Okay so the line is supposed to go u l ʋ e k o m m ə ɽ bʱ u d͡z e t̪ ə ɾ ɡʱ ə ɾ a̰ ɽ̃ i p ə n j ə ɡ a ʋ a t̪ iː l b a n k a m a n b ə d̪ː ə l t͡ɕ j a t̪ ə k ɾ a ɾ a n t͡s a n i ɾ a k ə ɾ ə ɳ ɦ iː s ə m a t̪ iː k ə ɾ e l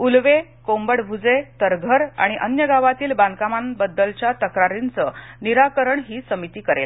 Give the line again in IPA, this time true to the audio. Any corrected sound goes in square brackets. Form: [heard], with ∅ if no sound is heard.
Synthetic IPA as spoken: u l ʋ e k o m [b] ə ɽ bʱ u d͡z e t̪ ə ɾ ɡʱ ə ɾ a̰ ɽ̃ i [ʔ] ə n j ə ɡ a ʋ a t̪ iː l b a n k a m a n b ə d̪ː ə l t͡ɕ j a t̪ ə k ɾ a ɾ [i] n t͡s [ə] n i ɾ a k ə ɾ ə ɳ ɦ iː s ə m [i] t̪ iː k ə ɾ e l